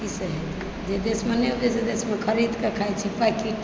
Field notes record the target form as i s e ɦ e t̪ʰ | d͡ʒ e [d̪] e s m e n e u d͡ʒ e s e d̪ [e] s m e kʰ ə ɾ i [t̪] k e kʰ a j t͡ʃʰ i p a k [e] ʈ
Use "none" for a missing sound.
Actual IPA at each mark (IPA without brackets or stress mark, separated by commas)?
d̪, e, d̪, i